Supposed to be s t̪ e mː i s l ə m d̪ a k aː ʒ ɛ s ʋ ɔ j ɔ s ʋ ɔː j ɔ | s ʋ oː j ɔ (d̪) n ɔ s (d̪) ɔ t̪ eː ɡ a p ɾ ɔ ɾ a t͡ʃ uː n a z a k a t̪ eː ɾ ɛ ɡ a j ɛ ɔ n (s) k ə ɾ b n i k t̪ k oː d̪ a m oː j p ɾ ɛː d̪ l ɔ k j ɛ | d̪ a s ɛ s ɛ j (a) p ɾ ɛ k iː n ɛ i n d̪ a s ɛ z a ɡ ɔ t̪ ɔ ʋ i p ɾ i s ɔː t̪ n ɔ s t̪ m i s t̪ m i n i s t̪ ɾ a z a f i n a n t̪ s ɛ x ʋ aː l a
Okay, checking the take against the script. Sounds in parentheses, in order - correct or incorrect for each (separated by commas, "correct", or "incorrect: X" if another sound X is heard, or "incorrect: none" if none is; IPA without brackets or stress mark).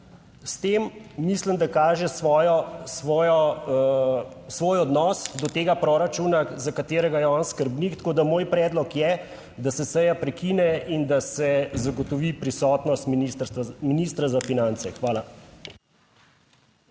correct, correct, correct, correct